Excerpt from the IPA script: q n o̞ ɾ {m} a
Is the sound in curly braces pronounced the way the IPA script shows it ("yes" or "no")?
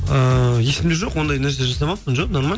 yes